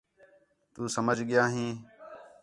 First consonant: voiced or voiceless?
voiceless